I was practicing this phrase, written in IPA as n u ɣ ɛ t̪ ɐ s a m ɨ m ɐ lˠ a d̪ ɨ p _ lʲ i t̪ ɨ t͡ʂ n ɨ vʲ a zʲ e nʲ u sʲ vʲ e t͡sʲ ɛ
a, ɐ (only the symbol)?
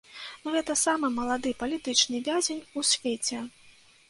ɐ